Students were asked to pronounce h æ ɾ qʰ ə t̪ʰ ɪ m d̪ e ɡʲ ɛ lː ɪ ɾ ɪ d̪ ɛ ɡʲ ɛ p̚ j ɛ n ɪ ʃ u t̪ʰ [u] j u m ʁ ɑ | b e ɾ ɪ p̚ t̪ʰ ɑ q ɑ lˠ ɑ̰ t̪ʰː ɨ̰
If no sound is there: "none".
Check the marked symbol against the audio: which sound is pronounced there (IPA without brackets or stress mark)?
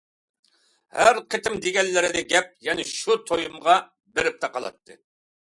o